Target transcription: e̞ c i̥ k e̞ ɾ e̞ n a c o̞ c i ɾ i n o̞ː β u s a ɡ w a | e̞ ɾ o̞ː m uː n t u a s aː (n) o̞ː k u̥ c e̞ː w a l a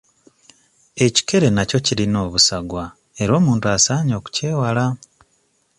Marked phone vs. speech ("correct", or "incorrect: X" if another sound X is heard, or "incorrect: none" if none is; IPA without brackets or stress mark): incorrect: ɲ